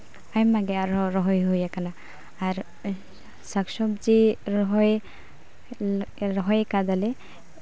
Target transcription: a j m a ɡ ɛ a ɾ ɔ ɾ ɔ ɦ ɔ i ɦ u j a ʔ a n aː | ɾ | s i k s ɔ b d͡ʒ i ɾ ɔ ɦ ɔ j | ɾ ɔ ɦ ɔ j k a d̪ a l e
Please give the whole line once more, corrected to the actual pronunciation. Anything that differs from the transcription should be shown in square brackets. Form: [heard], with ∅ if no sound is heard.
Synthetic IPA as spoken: a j m a ɡ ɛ a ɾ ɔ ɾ ɔ ɦ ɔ [j] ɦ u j a [k] a n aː | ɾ | s [a] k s ɔ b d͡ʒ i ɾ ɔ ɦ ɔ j | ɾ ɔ ɦ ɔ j k a d̪ a l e